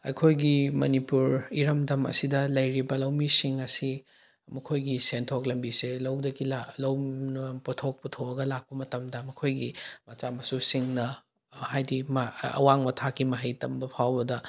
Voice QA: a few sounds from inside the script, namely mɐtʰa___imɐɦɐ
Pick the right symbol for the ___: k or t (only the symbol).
k